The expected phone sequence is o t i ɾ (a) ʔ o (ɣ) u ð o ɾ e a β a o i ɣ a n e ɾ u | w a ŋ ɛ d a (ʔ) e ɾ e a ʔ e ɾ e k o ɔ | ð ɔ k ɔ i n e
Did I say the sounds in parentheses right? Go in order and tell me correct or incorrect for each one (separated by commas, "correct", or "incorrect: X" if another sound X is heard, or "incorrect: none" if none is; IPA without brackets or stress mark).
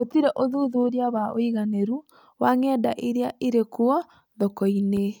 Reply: incorrect: ɛ, incorrect: ð, correct